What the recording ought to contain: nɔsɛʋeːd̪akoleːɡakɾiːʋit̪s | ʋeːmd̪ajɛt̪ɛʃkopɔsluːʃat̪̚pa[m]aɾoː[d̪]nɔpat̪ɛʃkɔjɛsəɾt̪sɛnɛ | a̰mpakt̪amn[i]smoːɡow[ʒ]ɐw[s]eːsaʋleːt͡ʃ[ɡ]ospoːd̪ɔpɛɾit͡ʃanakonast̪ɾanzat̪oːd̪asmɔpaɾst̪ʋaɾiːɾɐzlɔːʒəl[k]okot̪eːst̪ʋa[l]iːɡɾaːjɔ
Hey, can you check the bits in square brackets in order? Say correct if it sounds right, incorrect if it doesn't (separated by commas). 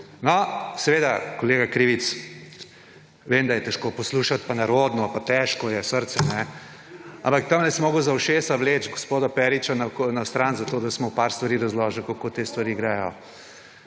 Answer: incorrect, correct, incorrect, incorrect, incorrect, correct, correct, incorrect